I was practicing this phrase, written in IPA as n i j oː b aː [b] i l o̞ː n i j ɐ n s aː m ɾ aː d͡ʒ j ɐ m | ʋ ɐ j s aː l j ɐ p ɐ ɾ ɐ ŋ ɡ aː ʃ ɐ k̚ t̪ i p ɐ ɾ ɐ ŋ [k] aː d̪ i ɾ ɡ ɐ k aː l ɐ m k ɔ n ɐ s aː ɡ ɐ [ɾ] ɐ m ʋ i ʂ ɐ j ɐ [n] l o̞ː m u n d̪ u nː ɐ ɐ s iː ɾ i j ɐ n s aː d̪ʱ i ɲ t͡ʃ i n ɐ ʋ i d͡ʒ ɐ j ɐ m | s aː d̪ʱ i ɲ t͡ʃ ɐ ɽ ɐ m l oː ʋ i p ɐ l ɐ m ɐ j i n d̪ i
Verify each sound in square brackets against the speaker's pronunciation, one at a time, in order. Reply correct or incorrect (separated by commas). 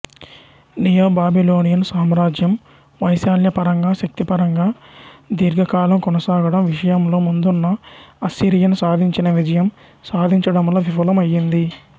correct, incorrect, incorrect, incorrect